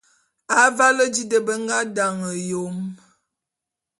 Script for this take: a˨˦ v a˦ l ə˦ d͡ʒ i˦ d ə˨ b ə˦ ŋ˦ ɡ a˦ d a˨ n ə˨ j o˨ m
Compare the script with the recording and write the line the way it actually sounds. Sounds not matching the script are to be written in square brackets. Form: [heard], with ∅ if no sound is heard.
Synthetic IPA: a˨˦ v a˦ l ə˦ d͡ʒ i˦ d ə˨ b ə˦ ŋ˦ ɡ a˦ d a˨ [ŋ] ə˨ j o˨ m